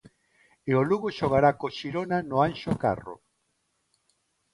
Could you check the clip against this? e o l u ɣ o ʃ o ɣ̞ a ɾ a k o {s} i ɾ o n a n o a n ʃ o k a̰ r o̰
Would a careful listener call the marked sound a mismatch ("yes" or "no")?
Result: yes